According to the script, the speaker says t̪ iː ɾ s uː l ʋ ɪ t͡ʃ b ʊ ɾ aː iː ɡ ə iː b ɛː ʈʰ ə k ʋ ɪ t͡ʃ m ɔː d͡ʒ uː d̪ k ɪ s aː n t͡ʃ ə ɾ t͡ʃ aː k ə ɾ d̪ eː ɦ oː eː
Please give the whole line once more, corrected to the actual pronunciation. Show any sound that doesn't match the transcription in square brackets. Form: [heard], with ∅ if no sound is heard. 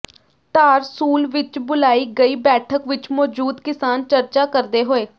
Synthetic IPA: t̪ [aː] ɾ s uː l ʋ ɪ t͡ʃ b ʊ [l] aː iː ɡ ə iː b ɛː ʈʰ ə k ʋ ɪ t͡ʃ m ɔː d͡ʒ uː d̪ k ɪ s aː n t͡ʃ ə ɾ t͡ʃ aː k ə ɾ d̪ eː ɦ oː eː